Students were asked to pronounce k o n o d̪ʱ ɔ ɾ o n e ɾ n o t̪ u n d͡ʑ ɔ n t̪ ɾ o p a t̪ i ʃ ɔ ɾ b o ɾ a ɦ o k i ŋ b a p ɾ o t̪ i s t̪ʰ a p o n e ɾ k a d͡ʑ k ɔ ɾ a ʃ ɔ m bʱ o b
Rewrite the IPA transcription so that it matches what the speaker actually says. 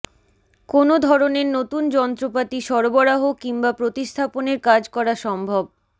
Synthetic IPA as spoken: k o n o d̪ʱ ɔ ɾ o n e ɾ n o t̪ u n d͡ʑ ɔ n t̪ ɾ o p a t̪ i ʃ ɔ ɾ b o ɾ a ɦ o k i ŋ b a p ɾ o t̪ i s t̪ʰ a p o n e ɾ k a d͡ʑ k ɔ ɾ a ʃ ɔ m bʱ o b

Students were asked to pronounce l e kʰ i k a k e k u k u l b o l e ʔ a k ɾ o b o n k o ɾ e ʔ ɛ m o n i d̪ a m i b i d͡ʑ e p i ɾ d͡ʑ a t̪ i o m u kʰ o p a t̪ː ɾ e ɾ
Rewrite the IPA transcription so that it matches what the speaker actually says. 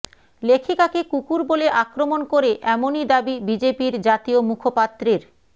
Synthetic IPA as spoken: l e kʰ i k a k e k u k u ɾ b o l e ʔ a k ɾ o m o n k o ɾ e ʔ ɛ m o n i d̪ a b i b i d͡ʑ e p i ɾ d͡ʑ a t̪ i o m u kʰ o p a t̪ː ɾ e ɾ

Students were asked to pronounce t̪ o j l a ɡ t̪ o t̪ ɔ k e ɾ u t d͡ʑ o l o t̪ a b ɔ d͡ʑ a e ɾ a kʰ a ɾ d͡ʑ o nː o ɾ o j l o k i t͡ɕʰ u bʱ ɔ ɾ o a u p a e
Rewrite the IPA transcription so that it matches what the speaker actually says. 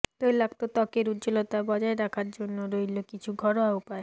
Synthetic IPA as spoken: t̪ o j l a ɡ t̪ o t̪ ɔ k e ɾ u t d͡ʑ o l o t̪ a b ɔ d͡ʑ a e ɾ a kʰ a ɾ d͡ʑ o nː o ɾ o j l o k i t͡ɕʰ u ɡʱ ɔ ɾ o a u p a e

